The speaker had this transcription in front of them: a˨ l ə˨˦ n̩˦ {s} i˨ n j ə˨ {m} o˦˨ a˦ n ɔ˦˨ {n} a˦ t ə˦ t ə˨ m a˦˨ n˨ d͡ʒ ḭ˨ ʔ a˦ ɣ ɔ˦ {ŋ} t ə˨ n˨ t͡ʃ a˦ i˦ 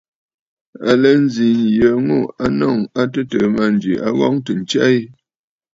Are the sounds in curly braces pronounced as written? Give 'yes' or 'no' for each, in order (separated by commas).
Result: no, no, no, yes